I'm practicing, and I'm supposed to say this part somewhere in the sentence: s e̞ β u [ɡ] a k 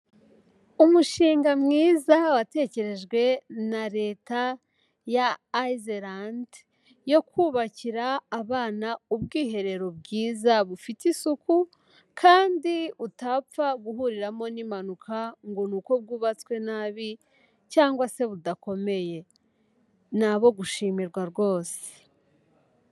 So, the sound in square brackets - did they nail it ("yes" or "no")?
no